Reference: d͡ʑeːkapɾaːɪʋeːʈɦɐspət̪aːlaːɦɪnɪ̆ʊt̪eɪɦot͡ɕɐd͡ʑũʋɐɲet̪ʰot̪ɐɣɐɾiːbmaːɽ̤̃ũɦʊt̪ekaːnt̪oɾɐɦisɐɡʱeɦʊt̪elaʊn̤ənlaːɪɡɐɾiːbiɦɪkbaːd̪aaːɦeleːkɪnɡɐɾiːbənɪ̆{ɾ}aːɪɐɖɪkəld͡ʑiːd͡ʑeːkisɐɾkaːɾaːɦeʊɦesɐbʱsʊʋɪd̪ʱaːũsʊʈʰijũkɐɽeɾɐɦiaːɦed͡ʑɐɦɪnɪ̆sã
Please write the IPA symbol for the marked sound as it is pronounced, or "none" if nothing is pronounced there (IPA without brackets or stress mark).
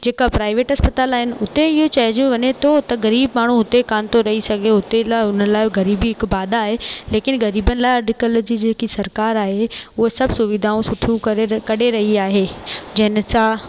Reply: l